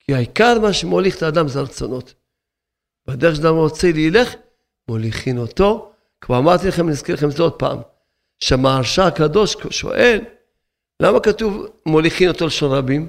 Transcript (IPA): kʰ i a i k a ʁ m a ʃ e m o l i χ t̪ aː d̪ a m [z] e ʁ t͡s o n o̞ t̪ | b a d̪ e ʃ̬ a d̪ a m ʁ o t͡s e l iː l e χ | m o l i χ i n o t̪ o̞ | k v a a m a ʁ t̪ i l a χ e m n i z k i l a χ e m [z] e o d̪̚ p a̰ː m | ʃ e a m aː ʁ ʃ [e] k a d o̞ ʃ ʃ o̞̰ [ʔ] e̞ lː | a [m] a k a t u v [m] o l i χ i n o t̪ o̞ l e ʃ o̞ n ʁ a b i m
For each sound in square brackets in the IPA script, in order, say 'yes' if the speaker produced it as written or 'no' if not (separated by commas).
yes, yes, no, yes, yes, yes